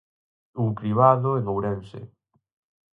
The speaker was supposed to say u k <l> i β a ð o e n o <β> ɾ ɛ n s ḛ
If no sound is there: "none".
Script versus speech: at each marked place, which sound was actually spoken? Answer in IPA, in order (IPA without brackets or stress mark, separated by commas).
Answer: ɾ, w